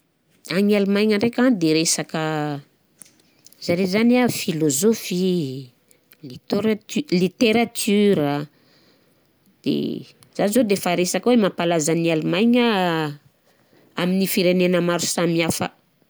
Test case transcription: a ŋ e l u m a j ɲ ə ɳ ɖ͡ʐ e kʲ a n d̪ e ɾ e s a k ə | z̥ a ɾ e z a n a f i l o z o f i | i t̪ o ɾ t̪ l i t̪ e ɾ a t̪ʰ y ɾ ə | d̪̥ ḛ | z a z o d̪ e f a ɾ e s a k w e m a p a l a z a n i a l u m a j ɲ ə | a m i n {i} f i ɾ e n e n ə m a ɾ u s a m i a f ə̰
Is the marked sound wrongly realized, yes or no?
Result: no